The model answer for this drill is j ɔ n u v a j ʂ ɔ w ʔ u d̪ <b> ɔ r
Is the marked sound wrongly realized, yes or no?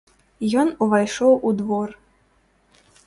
yes